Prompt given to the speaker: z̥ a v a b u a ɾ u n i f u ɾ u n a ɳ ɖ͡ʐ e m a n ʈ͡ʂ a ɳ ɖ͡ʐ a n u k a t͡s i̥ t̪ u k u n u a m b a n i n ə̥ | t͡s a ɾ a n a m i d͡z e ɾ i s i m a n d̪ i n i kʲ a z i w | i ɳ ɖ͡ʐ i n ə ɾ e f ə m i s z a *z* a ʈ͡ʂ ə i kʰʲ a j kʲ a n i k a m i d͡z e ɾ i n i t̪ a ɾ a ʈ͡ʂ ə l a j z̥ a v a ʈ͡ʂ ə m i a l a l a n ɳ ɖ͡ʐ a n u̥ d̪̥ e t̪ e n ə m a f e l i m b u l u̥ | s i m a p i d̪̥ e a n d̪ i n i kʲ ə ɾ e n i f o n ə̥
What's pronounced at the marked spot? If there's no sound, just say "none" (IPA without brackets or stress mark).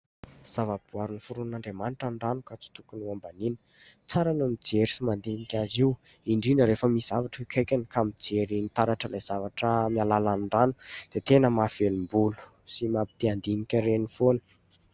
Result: v